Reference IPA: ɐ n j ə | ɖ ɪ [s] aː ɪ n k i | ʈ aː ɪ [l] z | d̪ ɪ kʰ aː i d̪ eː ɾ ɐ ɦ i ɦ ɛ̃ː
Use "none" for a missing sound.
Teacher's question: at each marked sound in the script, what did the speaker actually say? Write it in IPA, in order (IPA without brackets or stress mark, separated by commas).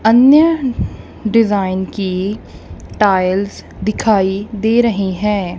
z, l